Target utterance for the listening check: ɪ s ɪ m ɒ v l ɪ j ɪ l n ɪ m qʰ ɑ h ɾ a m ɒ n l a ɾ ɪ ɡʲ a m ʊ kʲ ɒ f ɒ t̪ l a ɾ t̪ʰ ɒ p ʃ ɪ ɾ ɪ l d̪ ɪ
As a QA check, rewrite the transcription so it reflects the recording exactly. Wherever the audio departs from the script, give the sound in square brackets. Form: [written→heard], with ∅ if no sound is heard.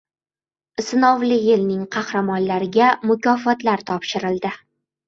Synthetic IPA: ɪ s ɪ [m→n] ɒ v l ɪ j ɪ l n ɪ [m→ŋ] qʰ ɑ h ɾ a m ɒ n l a ɾ ɪ ɡʲ a m ʊ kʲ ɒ f ɒ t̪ l a ɾ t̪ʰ ɒ p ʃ ɪ ɾ ɪ l d̪ ɪ